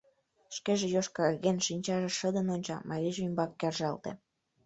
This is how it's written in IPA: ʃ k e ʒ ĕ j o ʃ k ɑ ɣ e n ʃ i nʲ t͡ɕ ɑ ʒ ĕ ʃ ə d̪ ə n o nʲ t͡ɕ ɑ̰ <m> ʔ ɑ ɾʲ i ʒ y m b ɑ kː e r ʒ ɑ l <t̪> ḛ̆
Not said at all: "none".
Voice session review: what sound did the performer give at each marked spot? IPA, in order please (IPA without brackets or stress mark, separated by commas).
m, t̪